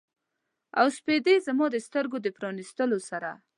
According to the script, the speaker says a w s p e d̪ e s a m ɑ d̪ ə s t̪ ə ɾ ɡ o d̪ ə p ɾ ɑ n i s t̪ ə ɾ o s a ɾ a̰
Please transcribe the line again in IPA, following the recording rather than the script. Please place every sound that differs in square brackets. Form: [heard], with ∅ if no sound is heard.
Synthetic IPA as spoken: a w s p e d̪ e [z] a m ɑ d̪ ə s t̪ ə ɾ ɡ o d̪ ə p ɾ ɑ n i s t̪ ə [l] o s a ɾ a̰